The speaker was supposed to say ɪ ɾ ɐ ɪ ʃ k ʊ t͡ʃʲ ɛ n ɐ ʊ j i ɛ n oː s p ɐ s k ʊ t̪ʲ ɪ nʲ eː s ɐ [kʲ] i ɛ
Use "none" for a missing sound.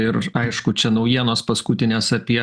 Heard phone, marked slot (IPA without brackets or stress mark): pʲ